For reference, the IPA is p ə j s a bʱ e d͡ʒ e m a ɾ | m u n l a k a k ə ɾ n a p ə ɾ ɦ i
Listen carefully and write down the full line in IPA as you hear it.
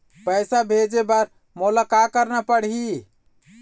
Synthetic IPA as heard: p ə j s a bʱ e d͡ʒ e b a ɾ | m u l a k a k ə ɾ n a p ə ɽ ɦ i